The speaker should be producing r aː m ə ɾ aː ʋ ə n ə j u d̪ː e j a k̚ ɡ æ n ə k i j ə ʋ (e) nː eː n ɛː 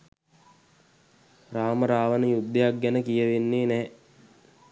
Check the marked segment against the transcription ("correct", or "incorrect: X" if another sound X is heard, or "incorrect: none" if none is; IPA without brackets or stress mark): correct